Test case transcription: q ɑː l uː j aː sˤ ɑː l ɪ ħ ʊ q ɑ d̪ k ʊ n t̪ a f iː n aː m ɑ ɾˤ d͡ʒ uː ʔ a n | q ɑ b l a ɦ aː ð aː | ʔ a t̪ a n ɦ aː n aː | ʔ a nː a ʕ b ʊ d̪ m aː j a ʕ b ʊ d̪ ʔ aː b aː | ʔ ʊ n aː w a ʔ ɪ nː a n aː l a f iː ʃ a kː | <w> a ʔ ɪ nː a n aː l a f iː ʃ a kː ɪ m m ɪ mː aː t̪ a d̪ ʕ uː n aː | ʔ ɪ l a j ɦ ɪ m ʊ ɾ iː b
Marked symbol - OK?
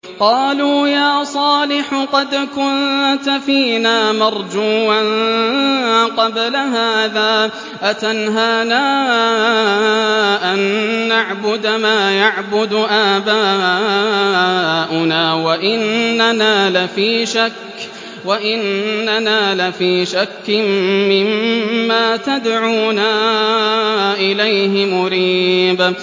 yes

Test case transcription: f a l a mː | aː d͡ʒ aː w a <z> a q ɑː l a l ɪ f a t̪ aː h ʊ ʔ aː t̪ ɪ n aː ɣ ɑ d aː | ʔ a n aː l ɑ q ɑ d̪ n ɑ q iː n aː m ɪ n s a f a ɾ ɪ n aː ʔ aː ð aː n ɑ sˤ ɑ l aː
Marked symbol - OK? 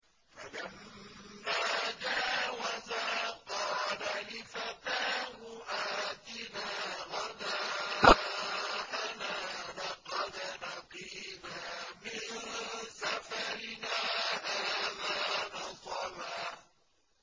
yes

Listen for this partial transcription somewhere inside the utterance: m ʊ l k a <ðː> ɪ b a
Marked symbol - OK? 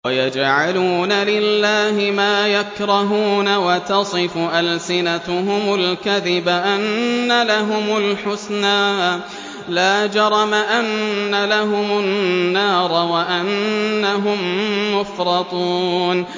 no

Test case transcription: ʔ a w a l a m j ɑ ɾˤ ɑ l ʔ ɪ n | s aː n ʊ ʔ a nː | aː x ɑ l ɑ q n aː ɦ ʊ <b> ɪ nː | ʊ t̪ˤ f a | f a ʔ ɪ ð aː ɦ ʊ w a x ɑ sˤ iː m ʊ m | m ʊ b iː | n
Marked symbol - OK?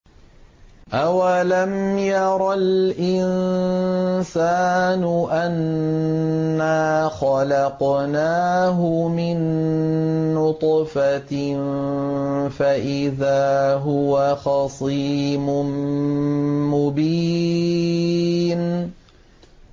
no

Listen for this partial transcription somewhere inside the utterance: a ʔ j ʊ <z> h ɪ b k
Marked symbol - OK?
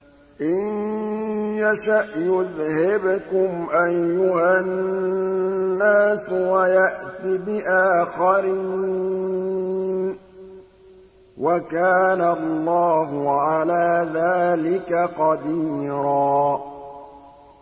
no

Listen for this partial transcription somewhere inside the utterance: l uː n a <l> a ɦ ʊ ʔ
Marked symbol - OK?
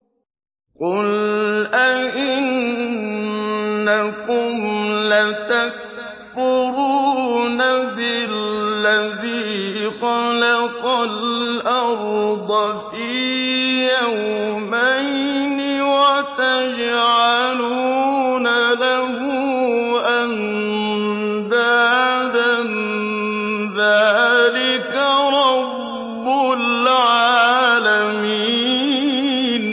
yes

